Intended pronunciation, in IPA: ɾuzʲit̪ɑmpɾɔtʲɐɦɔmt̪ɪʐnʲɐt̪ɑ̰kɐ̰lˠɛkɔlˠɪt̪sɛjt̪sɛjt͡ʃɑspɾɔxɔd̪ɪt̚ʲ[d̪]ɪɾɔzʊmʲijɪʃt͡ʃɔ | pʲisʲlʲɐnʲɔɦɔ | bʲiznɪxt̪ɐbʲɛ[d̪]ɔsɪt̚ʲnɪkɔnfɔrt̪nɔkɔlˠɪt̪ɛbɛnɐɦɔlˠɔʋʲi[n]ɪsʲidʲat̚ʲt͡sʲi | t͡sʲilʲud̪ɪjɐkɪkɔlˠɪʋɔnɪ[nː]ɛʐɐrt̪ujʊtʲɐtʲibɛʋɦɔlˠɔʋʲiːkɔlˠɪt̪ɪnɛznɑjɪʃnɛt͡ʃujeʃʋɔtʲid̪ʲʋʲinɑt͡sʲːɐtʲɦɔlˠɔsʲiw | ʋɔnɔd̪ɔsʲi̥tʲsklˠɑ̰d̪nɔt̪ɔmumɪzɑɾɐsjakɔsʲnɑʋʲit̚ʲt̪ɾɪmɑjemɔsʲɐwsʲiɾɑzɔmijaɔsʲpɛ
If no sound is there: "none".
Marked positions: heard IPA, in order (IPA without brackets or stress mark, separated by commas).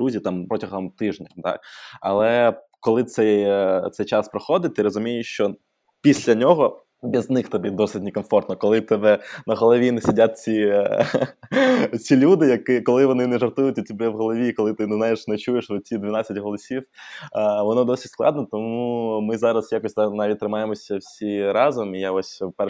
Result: t̪, d̪, n, n